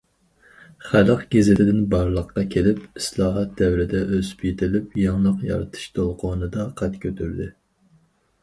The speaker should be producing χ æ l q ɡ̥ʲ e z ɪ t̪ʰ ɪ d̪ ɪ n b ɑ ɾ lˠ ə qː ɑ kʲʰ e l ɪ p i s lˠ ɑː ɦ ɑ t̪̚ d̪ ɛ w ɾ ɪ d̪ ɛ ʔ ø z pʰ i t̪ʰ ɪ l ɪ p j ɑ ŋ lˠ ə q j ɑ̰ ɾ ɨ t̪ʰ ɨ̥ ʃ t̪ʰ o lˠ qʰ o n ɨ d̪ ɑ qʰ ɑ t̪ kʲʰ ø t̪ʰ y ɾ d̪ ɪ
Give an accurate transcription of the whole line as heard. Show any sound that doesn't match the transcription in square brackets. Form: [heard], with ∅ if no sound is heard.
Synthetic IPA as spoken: χ æ l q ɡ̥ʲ e z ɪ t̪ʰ ɪ d̪ ɪ n b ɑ ɾ lˠ ə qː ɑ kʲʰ e l ɪ p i s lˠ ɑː ɦ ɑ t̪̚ d̪ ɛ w ɾ ɪ d̪ ɛ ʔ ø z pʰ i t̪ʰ ɪ l ɪ p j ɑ ŋ lˠ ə q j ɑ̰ ɾ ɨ t̪ʰ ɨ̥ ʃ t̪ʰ o lˠ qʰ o n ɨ d̪ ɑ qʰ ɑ t̪ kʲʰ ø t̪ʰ y ɾ d̪ ɪ

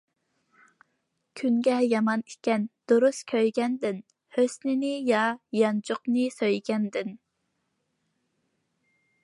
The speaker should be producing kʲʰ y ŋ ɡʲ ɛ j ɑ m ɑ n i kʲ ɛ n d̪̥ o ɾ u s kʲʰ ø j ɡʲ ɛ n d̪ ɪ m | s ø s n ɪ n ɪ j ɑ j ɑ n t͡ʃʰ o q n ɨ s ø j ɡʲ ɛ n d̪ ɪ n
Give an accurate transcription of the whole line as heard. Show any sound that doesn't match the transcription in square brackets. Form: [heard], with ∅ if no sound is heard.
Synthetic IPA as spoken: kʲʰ y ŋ ɡʲ ɛ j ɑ m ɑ n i kʲ ɛ n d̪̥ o ɾ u s kʲʰ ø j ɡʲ ɛ n d̪ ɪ [n] | [h] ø s n ɪ n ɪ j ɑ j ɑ n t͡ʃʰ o q n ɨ s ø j ɡʲ ɛ n d̪ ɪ n

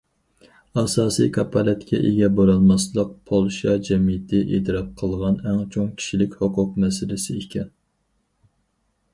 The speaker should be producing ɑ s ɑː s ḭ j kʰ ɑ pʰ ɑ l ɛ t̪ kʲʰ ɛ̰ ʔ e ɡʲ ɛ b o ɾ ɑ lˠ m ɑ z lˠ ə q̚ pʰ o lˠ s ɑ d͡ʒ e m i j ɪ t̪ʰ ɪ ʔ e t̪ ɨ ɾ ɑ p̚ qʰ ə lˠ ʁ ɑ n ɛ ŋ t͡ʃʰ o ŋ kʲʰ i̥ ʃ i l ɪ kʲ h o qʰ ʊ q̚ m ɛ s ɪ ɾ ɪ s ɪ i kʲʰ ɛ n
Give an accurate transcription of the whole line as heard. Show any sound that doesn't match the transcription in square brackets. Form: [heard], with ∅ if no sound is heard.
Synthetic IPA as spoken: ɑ s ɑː s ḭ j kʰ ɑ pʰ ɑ l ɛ t̪ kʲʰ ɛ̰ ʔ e ɡʲ ɛ b o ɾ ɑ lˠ m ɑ [s] lˠ ə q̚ pʰ o lˠ [ʃ] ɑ d͡ʒ [ɛ] m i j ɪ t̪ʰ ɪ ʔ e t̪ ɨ ɾ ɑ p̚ qʰ ə lˠ ʁ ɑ n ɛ ŋ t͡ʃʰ o ŋ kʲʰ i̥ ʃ i l ɪ kʲ h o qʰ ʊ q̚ m ɛ s ɪ [l] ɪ s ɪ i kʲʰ ɛ n

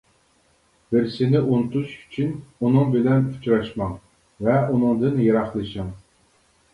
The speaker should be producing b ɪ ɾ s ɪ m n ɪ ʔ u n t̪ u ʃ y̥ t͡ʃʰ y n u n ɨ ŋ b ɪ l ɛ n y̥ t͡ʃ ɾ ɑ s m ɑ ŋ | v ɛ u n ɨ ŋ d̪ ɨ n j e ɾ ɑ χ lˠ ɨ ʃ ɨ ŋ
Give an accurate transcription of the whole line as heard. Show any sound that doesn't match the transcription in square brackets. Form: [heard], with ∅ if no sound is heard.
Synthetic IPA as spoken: b ɪ ɾ s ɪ [∅] n ɪ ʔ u n t̪ u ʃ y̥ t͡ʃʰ y n u n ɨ ŋ b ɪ l ɛ n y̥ t͡ʃ ɾ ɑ [ʃ] m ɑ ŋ | v ɛ u n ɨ ŋ d̪ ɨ n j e ɾ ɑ χ lˠ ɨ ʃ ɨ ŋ

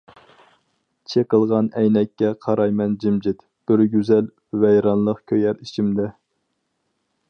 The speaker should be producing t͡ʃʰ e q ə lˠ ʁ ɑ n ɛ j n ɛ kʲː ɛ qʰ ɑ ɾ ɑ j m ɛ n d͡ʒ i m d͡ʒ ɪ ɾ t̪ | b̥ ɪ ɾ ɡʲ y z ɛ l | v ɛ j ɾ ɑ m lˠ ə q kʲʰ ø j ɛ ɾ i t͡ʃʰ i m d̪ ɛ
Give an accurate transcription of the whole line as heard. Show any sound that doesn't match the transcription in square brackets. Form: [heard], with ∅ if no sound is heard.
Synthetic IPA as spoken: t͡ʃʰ e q ə lˠ ʁ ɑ n ɛ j n ɛ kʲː ɛ qʰ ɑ ɾ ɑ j m ɛ n d͡ʒ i m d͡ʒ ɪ [∅] t̪ | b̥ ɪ ɾ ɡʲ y z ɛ l | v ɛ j ɾ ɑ [n] lˠ ə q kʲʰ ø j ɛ ɾ i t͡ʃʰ i m d̪ ɛ

